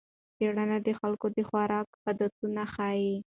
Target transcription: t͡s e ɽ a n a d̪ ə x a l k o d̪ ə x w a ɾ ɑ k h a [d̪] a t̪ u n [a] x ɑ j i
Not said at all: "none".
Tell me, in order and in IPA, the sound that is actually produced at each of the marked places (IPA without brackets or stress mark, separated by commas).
d̪, a